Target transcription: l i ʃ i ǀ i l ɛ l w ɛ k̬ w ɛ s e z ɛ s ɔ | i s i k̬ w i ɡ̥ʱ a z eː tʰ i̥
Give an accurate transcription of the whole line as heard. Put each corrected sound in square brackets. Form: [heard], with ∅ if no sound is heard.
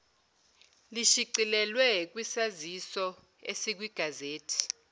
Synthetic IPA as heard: l i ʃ i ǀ i l ɛ l w ɛ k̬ w [i] s [a] z [i] s ɔ | [e] s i k̬ w i ɡ̥ʱ a z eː tʰ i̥

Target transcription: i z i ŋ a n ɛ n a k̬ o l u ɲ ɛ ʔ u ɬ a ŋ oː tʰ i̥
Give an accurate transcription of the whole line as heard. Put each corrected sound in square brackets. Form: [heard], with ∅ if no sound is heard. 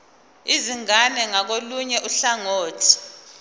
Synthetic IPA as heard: i z i ŋ a n ɛ [ŋ] a k̬ o l u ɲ ɛ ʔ u ɬ a ŋ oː tʰ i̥

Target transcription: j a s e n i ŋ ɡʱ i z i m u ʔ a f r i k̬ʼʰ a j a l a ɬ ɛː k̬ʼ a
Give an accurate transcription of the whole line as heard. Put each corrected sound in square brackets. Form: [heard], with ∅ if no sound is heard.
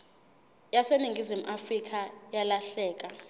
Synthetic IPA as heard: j a s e n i ŋ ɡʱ i z i m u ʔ a f r i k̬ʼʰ a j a l a ɬ ɛː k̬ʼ a

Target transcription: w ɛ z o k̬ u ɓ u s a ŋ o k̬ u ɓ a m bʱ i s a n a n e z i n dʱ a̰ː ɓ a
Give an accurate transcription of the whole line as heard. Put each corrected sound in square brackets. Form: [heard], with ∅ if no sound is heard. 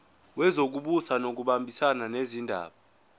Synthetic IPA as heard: w ɛ z o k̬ u ɓ u s a [n] o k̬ u ɓ a m bʱ i s a n a n e z i n dʱ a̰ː ɓ a

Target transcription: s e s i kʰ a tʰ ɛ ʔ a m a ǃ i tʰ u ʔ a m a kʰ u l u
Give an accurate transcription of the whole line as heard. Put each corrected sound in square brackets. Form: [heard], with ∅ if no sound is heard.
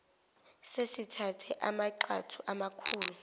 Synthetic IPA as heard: s e s i [tʰ] a tʰ ɛ ʔ a m a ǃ [a] tʰ u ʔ a m a kʰ [uː] l u

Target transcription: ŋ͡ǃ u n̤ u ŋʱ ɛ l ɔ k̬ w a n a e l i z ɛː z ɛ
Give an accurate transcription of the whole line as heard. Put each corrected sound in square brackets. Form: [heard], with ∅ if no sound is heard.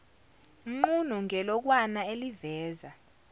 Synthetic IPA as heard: ŋ͡ǃ u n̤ u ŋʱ ɛ l ɔ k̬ w a n a e l i [v] ɛː z [a]

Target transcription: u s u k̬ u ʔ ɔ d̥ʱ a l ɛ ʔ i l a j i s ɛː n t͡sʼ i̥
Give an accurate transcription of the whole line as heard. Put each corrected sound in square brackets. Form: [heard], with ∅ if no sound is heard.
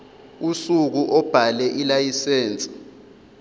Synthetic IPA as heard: u s u k̬ u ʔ ɔ [b̥ʱ] a l ɛ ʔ i l a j i s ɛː n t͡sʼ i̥

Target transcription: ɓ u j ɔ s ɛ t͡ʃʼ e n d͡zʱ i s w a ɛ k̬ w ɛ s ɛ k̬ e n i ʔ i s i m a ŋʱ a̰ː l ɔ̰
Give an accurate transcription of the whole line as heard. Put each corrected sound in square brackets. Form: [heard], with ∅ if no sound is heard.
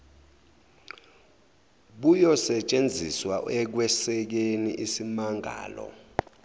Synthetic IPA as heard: ɓ u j ɔ s ɛ t͡ʃʼ e n d͡zʱ i s w a ɛ k̬ w ɛ s ɛ k̬ e n i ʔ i s i m a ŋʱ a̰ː l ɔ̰

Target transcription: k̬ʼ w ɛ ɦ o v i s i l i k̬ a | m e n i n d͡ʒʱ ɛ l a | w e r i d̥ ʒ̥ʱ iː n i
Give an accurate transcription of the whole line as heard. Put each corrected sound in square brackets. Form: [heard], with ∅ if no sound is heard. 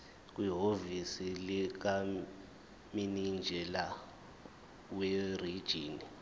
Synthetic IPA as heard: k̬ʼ w [i] ɦ o v i s i l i k̬ a | m [i] n i n d͡ʒʱ ɛ l a | w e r i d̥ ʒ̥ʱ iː n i

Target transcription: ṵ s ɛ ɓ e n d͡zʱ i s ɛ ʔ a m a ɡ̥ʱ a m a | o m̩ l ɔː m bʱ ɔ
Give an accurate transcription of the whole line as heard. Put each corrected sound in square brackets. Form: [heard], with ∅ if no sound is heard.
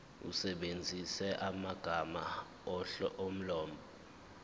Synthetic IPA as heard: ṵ s ɛ ɓ e n d͡zʱ i s ɛ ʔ a m a ɡ̥ʱ a m a | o m̩ l ɔː m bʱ ɔ

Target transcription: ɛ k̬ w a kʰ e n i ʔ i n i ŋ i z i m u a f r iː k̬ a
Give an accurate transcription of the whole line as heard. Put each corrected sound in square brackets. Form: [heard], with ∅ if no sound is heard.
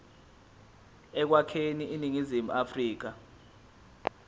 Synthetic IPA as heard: ɛ k̬ w a kʰ e n i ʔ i n i ŋ i z i m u a f r iː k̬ a

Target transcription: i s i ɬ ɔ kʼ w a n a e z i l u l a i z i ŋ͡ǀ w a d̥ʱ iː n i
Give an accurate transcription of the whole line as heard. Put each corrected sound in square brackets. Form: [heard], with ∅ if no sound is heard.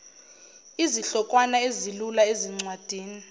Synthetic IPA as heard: i [z] i ɬ ɔ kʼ w a n a e z i l u l a [e] z i ŋ͡ǀ w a d̥ʱ iː n i

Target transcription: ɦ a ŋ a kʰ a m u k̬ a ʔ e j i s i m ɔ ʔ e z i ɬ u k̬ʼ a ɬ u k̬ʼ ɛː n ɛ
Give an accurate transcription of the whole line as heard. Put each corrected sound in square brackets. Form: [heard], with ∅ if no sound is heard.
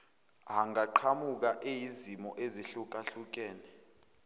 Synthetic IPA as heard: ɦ a ŋ a [ǃʰ] a m u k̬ a ʔ e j i [z] i m ɔ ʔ e z i ɬ u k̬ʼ a ɬ u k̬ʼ ɛː n ɛ

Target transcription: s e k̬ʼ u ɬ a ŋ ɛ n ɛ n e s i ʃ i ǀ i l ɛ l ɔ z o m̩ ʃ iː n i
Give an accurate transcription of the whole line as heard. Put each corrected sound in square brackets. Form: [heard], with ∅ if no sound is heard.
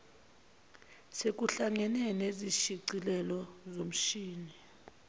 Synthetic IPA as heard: s e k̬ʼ u ɬ a ŋ ɛ n ɛ n e [z] i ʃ i ǀ i l ɛ l ɔ z o m̩ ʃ iː n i

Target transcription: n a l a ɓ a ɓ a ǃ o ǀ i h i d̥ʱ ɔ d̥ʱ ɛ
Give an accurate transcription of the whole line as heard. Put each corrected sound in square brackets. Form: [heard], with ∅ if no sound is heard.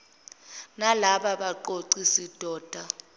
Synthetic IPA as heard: n a l a ɓ a ɓ a ǃ o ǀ i [s] i d̥ʱ [ɔː] d̥ʱ [a]

